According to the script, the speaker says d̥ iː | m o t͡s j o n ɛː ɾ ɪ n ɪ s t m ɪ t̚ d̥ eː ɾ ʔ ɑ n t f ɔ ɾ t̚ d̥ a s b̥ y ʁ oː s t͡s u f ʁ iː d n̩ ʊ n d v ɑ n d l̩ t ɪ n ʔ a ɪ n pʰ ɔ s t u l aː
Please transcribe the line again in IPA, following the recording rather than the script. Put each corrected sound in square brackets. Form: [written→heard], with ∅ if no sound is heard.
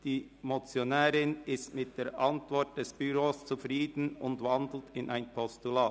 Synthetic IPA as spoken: d̥ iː | m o t͡s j o n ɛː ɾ ɪ n ɪ s t m ɪ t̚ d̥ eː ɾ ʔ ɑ n t [f→v] ɔ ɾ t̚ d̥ [a→ɛ] s b̥ y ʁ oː s t͡s u f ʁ iː d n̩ ʊ n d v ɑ n d l̩ t ɪ n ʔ a ɪ n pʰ ɔ s t u l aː